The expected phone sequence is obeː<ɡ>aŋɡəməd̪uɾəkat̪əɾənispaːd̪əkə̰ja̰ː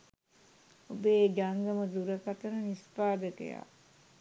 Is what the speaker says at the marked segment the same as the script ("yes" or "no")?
yes